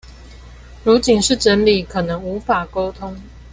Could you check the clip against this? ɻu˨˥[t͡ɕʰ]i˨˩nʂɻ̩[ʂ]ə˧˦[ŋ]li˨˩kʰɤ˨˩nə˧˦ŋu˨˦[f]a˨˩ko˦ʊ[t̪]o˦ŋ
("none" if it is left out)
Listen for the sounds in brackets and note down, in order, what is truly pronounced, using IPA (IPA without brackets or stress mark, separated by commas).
t͡ɕ, ʈ͡ʂ, n, f, t̪ʰ